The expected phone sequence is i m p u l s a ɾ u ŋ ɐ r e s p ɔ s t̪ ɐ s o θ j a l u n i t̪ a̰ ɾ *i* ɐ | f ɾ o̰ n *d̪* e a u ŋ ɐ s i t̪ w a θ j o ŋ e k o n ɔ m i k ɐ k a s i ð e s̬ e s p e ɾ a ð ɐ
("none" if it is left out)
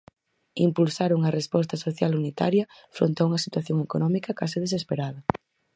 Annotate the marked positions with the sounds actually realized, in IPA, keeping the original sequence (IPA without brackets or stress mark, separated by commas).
j, t̪